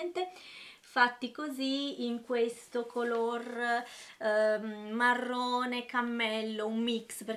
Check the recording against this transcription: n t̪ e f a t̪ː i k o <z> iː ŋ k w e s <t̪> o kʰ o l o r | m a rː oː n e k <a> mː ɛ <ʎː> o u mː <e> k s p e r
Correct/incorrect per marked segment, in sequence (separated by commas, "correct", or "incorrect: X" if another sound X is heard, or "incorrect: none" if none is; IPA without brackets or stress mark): correct, correct, correct, incorrect: lː, incorrect: i